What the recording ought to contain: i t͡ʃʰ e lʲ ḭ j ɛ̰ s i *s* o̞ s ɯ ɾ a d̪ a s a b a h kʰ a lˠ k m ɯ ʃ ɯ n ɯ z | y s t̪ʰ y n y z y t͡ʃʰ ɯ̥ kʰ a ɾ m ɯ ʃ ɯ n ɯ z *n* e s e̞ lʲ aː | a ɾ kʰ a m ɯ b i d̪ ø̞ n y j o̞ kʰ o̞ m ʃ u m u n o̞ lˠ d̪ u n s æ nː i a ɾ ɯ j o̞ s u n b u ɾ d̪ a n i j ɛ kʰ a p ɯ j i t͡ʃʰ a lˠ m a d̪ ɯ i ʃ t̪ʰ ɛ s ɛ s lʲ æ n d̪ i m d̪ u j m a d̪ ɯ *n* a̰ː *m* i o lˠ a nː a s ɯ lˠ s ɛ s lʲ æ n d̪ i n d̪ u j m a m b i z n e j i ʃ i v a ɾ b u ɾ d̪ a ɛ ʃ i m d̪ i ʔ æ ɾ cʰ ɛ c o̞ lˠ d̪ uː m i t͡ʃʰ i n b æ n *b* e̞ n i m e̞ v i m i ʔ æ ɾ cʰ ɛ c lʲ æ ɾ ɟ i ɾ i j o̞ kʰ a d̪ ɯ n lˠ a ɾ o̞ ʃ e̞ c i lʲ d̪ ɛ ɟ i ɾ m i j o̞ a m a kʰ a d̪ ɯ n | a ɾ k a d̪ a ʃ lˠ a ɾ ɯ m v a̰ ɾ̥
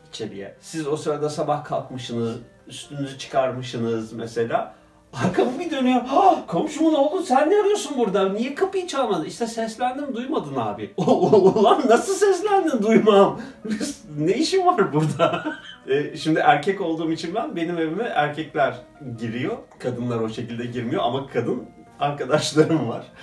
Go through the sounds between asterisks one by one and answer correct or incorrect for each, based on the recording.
incorrect, incorrect, correct, incorrect, correct

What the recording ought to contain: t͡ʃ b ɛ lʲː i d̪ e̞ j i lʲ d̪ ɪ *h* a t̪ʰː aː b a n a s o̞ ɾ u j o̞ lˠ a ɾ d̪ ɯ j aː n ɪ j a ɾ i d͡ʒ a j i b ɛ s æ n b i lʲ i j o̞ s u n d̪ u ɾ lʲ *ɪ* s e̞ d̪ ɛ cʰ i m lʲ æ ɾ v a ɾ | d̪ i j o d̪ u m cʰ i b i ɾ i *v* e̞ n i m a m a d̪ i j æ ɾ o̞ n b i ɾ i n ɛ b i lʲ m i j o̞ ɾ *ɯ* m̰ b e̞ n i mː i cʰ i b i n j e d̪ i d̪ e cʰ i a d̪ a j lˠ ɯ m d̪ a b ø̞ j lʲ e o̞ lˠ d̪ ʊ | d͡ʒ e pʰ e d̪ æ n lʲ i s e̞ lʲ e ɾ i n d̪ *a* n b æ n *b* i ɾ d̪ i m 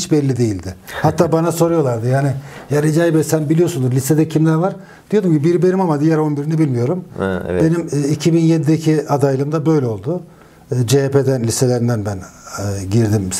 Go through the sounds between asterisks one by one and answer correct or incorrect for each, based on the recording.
correct, incorrect, incorrect, incorrect, incorrect, incorrect

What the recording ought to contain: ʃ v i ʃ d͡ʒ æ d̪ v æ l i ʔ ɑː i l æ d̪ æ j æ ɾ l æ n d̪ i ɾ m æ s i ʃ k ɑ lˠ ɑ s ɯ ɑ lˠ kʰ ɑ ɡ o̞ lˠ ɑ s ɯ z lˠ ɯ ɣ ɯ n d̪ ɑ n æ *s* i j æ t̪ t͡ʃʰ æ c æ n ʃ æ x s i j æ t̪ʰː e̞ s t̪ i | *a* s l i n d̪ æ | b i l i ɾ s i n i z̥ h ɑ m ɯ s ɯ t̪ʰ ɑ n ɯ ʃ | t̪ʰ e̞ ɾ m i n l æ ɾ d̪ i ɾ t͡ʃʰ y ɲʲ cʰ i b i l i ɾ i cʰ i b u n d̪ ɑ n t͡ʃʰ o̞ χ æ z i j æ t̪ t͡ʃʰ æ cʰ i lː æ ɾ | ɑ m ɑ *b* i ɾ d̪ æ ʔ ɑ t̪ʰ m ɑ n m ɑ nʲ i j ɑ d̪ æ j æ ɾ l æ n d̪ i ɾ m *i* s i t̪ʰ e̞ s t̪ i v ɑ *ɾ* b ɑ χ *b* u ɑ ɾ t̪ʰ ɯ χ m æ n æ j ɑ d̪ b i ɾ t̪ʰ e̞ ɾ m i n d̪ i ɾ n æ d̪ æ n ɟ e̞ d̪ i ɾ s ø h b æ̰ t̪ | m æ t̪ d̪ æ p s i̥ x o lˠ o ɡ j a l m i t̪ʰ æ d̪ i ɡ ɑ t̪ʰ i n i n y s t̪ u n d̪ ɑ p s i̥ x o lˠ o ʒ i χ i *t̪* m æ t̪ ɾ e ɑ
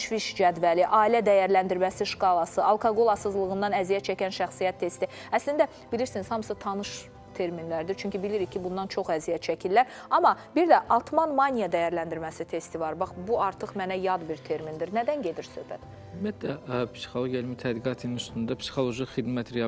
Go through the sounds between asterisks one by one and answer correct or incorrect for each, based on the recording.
incorrect, incorrect, correct, incorrect, correct, correct, incorrect

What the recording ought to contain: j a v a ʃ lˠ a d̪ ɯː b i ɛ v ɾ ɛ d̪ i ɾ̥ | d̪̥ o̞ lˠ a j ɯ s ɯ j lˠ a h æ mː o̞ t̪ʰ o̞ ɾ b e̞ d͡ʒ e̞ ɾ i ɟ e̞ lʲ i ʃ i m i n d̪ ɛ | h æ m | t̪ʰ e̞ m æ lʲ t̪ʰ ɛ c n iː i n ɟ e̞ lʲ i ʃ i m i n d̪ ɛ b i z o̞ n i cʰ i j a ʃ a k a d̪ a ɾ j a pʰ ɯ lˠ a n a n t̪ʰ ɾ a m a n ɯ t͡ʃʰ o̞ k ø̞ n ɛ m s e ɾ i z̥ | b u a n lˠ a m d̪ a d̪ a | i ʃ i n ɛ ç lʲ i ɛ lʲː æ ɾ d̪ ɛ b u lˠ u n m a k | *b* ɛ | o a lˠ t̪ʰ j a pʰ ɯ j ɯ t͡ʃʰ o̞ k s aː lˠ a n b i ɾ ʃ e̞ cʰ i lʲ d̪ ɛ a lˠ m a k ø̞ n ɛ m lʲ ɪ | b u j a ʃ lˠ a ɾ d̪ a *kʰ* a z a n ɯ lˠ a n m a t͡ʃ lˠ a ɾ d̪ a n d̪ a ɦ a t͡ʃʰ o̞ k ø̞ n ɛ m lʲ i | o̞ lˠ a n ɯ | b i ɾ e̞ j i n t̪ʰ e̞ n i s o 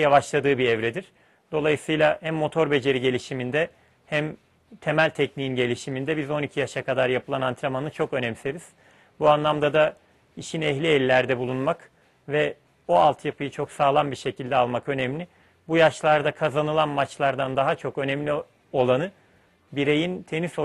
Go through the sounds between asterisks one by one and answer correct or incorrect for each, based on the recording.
incorrect, correct

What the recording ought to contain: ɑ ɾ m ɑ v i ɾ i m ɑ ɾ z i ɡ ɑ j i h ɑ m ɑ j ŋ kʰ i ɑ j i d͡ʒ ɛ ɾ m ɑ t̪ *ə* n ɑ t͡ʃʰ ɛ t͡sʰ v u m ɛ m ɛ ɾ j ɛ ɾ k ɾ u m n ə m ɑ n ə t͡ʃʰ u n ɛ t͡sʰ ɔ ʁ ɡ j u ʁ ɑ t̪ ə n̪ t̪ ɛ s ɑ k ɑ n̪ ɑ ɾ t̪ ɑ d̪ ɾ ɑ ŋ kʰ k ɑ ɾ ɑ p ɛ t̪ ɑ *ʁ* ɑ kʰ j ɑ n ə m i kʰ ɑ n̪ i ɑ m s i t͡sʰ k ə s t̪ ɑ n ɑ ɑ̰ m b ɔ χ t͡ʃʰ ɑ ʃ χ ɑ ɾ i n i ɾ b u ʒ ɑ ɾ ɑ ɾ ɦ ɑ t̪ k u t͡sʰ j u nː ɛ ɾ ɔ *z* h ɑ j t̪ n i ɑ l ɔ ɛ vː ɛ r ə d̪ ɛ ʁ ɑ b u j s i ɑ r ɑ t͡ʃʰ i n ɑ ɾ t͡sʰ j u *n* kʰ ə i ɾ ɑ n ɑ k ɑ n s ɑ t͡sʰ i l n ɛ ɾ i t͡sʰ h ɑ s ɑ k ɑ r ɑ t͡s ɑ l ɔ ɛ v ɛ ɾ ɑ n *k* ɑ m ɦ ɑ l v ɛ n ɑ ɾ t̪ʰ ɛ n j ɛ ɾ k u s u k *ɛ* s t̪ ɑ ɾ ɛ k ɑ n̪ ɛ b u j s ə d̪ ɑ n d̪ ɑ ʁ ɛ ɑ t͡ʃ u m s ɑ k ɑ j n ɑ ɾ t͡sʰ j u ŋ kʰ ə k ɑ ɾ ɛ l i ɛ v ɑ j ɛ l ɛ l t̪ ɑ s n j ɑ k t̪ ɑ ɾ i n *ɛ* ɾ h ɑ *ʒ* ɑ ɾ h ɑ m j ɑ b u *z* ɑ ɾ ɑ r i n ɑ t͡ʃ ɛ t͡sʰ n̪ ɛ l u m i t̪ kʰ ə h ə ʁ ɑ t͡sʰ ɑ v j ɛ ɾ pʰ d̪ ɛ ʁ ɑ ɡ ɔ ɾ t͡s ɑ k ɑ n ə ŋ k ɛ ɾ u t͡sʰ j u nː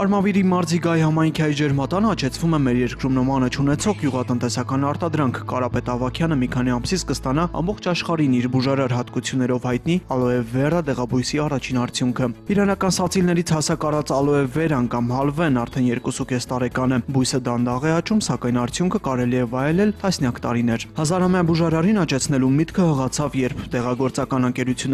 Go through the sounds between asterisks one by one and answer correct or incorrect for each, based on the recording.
incorrect, incorrect, incorrect, incorrect, correct, correct, correct, incorrect, incorrect

